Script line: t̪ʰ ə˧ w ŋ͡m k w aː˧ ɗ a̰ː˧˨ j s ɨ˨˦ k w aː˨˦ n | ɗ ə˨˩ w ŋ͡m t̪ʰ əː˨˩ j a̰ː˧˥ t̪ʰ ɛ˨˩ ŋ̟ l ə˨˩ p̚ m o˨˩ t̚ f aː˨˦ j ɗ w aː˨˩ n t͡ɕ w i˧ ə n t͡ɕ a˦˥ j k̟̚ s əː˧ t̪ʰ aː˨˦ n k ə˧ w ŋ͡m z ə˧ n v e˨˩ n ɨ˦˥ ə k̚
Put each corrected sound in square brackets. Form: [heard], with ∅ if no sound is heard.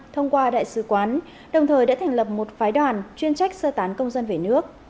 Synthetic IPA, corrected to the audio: t̪ʰ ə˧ w ŋ͡m k w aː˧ ɗ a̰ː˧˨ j s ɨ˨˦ k w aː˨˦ n | ɗ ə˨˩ w ŋ͡m t̪ʰ əː˨˩ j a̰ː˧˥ t̪ʰ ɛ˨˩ ŋ̟ l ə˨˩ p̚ m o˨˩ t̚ f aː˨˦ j ɗ w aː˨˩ n t͡ɕ w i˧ ə n t͡ɕ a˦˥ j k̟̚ s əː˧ [t̪] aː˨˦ n k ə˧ w ŋ͡m z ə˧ n v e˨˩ n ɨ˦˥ ə k̚